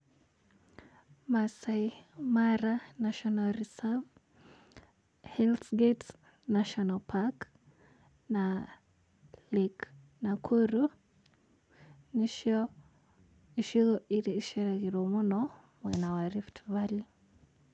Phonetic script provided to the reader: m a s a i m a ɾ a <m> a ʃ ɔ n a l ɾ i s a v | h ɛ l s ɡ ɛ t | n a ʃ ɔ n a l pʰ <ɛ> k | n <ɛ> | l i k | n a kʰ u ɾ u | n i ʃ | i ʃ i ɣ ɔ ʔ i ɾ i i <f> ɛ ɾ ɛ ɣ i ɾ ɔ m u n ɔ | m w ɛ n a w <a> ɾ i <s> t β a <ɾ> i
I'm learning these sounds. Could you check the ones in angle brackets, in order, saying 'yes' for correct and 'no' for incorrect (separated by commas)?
no, no, no, no, yes, no, no